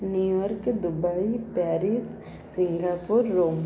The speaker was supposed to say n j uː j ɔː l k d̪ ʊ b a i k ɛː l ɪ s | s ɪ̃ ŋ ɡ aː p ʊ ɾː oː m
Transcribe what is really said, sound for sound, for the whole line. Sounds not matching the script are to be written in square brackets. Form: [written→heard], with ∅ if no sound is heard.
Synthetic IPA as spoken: n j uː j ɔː [l→ɾ] k d̪ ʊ b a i [k→p] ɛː [l→ɾ] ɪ s | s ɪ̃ ŋ ɡ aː p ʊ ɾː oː m